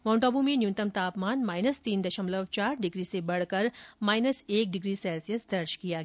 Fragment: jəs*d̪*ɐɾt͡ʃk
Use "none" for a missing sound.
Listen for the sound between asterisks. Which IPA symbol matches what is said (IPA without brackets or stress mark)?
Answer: d̪